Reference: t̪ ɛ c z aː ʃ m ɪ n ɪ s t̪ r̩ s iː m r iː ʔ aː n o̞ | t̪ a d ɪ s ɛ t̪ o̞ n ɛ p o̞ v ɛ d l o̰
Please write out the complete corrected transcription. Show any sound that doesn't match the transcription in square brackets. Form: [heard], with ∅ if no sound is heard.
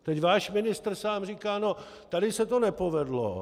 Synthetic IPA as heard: t̪ ɛ c [v] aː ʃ m ɪ n ɪ s t̪ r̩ s [aː] m r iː [k] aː n o̞ | t̪ a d ɪ s ɛ t̪ o̞ n ɛ p o̞ v ɛ d l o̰